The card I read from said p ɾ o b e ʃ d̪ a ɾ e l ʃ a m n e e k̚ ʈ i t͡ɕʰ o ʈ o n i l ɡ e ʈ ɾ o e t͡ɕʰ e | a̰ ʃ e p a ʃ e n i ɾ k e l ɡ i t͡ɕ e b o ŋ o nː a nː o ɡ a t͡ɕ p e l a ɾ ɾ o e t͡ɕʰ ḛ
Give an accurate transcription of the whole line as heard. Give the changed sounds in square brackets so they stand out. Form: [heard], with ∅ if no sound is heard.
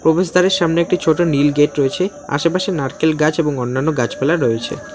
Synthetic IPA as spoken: p ɾ o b e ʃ d̪ a ɾ e [ɾ] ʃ a m n e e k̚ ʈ i t͡ɕʰ o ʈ o n i l ɡ e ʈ ɾ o e t͡ɕʰ e | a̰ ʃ e p a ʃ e n [a] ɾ k e l ɡ [a] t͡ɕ e b o ŋ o nː a nː o ɡ a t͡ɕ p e l a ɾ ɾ o e t͡ɕʰ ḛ